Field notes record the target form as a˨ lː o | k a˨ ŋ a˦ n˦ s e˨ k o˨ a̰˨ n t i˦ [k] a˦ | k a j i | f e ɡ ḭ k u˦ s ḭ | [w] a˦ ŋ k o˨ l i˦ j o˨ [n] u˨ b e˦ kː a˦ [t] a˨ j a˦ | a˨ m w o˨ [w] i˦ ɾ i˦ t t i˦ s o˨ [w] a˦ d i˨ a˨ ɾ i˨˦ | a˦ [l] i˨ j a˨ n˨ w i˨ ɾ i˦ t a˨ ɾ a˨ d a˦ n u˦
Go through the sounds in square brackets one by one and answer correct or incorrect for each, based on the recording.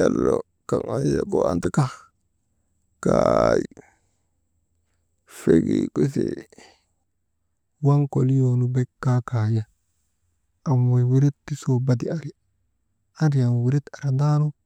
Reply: correct, correct, correct, incorrect: k, correct, incorrect: b, incorrect: ɾ

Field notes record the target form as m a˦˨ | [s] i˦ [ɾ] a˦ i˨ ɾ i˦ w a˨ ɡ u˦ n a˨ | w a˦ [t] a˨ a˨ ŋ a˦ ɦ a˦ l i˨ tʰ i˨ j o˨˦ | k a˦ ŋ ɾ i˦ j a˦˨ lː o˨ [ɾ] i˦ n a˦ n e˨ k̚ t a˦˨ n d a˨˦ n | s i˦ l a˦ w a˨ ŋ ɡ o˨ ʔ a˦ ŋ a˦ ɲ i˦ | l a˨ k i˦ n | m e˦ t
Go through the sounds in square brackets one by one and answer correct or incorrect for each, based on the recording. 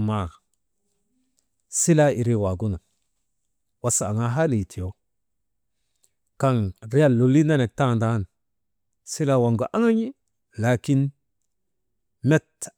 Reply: correct, incorrect: l, incorrect: s, incorrect: l

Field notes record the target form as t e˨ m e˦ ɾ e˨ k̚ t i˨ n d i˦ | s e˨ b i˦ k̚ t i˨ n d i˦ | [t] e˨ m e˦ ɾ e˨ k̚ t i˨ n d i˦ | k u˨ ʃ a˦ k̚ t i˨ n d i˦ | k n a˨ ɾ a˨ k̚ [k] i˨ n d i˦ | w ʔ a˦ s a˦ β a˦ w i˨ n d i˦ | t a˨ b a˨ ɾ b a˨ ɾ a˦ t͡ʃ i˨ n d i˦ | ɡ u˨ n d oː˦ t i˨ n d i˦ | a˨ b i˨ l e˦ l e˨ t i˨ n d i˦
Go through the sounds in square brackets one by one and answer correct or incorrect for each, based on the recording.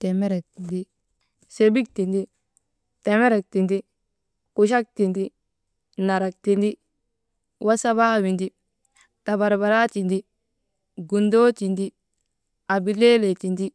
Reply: correct, incorrect: t

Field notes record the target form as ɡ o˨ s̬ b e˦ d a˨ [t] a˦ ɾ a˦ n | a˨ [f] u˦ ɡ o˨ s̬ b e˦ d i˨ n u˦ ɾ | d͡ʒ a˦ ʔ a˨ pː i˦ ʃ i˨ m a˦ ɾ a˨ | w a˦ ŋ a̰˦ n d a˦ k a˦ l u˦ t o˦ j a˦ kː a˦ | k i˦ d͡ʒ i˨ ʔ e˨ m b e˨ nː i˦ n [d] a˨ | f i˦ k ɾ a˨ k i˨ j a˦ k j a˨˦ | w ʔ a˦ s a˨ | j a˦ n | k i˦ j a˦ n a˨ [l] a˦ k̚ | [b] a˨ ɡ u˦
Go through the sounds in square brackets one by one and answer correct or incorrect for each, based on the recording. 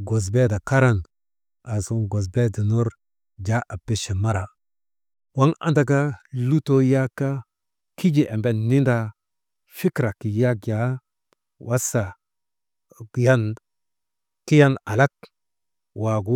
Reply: incorrect: k, incorrect: s, correct, correct, incorrect: w

